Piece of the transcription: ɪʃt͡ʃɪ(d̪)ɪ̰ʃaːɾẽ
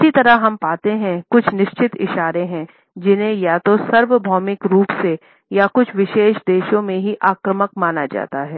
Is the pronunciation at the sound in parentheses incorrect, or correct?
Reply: incorrect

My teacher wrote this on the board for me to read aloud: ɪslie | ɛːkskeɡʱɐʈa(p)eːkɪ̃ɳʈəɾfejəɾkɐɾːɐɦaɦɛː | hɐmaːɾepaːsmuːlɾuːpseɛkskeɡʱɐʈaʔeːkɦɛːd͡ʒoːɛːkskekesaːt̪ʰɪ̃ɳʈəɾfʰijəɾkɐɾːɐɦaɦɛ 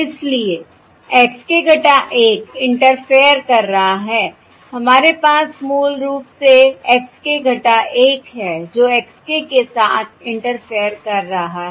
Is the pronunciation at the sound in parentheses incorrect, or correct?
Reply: incorrect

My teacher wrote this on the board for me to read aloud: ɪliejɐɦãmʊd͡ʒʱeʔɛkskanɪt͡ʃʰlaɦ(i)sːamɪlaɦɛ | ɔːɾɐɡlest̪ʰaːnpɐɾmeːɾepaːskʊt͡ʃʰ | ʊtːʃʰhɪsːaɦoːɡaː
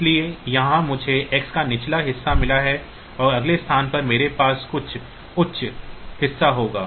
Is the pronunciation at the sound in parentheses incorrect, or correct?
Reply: incorrect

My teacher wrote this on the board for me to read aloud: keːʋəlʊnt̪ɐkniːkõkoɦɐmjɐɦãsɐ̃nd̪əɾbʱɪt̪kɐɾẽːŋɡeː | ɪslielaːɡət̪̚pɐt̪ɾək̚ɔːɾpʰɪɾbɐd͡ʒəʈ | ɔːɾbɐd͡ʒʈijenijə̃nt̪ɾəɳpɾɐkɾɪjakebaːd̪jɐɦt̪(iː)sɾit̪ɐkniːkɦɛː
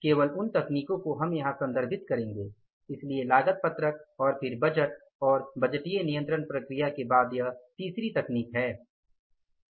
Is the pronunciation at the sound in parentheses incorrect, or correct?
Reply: correct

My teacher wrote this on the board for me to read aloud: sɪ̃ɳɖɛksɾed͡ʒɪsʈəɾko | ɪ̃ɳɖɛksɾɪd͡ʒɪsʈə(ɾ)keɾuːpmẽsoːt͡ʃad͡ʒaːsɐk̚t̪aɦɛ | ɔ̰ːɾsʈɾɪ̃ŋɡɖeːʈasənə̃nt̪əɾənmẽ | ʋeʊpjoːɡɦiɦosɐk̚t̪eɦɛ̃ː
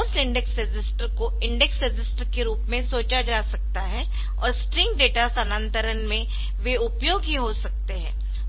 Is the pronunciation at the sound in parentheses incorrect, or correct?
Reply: correct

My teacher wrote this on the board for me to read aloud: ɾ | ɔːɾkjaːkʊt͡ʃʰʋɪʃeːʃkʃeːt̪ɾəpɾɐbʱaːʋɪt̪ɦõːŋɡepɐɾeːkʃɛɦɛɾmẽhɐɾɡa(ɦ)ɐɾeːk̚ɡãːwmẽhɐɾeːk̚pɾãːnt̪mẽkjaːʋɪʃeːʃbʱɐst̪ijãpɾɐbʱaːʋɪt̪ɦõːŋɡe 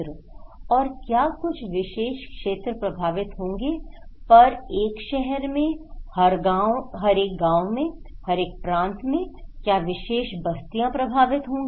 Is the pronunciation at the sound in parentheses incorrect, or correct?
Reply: correct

